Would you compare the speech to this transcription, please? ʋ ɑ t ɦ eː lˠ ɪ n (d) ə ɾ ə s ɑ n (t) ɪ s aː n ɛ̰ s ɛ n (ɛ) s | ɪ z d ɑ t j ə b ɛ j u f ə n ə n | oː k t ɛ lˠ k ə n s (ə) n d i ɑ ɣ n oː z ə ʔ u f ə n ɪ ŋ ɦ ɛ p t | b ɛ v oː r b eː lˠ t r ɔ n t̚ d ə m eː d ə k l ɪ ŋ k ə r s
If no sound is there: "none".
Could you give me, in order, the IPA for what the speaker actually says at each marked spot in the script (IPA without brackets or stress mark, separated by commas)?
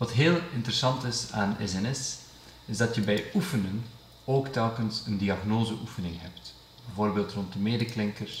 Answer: t, t, ɛ, ə